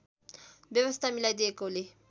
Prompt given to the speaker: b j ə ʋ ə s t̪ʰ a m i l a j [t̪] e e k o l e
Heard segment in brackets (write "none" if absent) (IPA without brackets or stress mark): d̪